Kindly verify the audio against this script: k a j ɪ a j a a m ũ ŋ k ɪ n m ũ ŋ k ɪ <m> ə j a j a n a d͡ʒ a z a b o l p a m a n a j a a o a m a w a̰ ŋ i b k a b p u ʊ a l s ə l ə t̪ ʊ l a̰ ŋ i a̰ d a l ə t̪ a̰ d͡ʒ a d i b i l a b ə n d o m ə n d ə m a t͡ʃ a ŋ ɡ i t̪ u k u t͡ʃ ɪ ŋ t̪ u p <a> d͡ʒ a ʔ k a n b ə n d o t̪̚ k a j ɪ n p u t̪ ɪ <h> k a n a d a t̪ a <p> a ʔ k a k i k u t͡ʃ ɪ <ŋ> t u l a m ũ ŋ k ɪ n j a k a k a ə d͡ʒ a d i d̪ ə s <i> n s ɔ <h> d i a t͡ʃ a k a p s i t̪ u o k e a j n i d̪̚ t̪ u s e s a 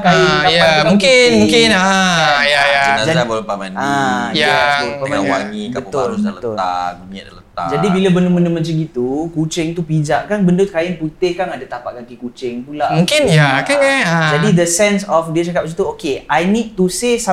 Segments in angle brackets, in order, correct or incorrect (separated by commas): incorrect, incorrect, correct, correct, correct, incorrect, incorrect